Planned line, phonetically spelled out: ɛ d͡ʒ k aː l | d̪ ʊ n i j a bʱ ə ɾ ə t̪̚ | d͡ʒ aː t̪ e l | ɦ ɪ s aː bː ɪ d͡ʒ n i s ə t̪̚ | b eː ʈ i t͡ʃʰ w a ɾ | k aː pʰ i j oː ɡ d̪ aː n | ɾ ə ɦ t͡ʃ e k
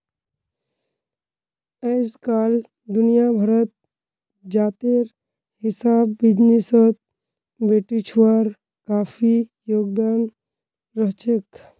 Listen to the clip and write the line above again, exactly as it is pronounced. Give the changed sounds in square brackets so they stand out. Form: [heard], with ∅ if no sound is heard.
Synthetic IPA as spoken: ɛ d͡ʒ k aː l | d̪ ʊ n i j a bʱ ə ɾ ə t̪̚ | d͡ʒ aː t̪ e [ɾ] | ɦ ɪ s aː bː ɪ d͡ʒ n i s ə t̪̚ | b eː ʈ i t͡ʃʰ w a ɾ | k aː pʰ i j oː ɡ d̪ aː n | ɾ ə ɦ t͡ʃ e k